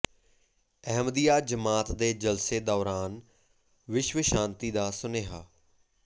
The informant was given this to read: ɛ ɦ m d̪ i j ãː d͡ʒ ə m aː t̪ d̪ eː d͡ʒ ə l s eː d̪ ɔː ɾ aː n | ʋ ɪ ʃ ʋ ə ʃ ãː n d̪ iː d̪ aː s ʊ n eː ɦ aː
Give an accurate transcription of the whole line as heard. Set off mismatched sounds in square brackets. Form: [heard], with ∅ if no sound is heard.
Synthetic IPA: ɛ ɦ m d̪ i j [aː] d͡ʒ ə m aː t̪ d̪ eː d͡ʒ ə l s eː d̪ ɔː ɾ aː n | ʋ ɪ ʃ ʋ ə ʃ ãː n [t̪] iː d̪ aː s ʊ n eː ɦ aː